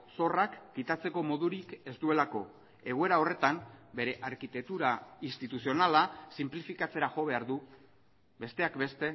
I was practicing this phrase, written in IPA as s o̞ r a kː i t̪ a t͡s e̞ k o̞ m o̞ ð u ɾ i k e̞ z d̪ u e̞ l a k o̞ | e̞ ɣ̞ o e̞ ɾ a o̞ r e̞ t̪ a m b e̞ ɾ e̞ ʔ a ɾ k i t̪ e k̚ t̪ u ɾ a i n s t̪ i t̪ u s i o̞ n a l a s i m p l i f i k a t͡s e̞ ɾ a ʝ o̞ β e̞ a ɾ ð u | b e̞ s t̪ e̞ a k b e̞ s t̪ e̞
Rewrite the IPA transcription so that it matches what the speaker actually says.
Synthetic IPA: s o̞ r a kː i t̪ a t͡s e̞ k o̞ m o̞ ð u ɾ i k e̞ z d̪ u e̞ l a k o̞ | e̞ ɣ̞ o e̞ ɾ a o̞ r e̞ t̪ a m b e̞ ɾ e̞ ʔ a ɾ k i t̪ e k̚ t̪ u ɾ a i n s t̪ i t̪ u s i o̞ n a l a s i m p l i f i k a t͡s e̞ ɾ a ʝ o̞ β e̞ a ɾ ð u | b e̞ s t̪ e̞ a k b e̞ s t̪ e̞